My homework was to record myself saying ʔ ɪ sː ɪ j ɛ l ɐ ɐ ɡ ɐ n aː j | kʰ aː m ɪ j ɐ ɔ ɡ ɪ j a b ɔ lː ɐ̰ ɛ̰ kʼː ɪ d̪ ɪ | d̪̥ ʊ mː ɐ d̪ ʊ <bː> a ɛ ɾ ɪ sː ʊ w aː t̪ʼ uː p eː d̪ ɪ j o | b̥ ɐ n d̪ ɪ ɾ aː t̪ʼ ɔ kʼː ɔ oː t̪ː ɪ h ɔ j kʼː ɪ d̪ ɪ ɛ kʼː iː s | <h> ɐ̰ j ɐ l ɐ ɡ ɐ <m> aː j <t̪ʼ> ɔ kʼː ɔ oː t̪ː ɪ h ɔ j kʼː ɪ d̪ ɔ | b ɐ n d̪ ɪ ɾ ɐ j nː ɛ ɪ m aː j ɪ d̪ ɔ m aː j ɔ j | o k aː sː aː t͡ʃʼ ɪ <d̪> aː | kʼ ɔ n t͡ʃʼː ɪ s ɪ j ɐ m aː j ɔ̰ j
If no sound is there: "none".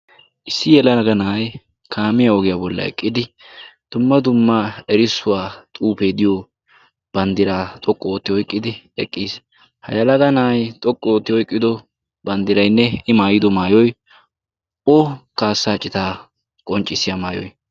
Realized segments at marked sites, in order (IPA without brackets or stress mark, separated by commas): mː, h, n, t̪ʼ, t̪